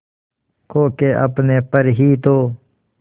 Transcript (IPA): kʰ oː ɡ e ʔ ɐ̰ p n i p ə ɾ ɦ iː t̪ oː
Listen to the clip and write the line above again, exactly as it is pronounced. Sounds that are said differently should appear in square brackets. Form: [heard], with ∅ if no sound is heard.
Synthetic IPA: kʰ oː [k] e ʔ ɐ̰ p n [e] p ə ɾ ɦ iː t̪ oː